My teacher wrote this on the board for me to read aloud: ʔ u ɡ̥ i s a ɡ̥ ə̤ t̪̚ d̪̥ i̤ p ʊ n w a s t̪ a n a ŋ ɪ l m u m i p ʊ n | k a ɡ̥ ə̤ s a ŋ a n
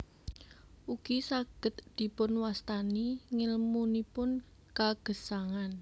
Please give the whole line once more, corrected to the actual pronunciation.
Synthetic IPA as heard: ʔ u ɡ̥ i s a ɡ̥ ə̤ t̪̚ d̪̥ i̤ p ʊ n w a s t̪ a n i ŋ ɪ l m u n i p ʊ n | k a ɡ̥ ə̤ s a ŋ a n